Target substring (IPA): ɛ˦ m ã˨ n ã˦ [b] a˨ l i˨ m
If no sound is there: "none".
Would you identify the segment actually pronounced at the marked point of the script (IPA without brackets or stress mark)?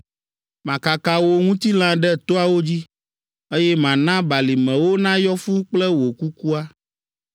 b